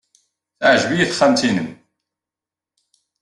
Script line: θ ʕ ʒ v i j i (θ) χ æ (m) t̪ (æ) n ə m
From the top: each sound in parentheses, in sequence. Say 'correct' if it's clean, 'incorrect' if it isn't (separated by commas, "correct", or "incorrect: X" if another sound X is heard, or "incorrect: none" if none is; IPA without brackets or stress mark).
correct, correct, incorrect: i